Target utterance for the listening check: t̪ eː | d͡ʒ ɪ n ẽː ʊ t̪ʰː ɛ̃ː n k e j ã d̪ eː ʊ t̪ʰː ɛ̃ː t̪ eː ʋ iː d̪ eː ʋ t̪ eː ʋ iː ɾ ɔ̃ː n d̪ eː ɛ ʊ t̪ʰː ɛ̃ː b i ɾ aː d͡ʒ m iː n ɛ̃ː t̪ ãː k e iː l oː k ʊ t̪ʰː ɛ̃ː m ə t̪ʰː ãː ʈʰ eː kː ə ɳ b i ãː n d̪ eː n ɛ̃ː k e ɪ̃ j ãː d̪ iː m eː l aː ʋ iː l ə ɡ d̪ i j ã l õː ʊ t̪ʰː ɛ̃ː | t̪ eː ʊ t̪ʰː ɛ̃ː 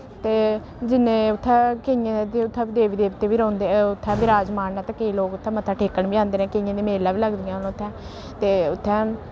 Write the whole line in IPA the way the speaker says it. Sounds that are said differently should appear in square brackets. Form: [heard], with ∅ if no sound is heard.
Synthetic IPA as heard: t̪ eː | d͡ʒ ɪ n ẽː ʊ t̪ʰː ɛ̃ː [∅] k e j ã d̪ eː ʊ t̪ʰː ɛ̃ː [d̪] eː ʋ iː d̪ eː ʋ t̪ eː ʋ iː ɾ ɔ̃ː n d̪ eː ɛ ʊ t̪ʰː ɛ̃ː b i ɾ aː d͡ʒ m [aː] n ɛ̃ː t̪ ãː k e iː l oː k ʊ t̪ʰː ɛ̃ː m ə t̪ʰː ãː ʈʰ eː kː ə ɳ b i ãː n d̪ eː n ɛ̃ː k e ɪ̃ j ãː d̪ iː m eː l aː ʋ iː l ə ɡ d̪ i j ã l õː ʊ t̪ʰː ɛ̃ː | t̪ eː ʊ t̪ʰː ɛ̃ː